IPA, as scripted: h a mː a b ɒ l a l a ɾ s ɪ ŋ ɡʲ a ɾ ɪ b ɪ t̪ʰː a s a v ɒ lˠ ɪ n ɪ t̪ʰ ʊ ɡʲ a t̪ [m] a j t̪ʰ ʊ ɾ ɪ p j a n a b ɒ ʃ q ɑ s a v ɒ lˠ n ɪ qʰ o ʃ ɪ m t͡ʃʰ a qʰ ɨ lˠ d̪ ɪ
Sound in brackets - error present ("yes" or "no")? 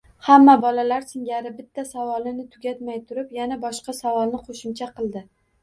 no